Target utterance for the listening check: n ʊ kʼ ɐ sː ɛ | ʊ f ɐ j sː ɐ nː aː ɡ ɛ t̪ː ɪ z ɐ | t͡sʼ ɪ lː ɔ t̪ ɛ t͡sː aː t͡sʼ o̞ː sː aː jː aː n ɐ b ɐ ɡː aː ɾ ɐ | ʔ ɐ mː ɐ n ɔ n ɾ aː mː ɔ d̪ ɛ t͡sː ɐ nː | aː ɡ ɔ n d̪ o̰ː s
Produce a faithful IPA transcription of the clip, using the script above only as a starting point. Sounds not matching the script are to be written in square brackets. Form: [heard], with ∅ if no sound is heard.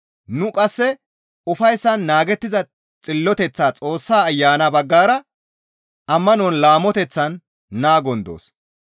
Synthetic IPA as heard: n ʊ kʼ ɐ sː ɛ | ʊ f ɐ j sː ɐ nː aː ɡ ɛ t̪ː ɪ z ɐ | t͡sʼ ɪ lː ɔ t̪ ɛ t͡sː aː t͡sʼ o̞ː sː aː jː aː n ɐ b ɐ ɡː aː ɾ ɐ | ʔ ɐ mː ɐ n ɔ n [l] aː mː ɔ [t̪] ɛ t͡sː ɐ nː | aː ɡ ɔ n d̪ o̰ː s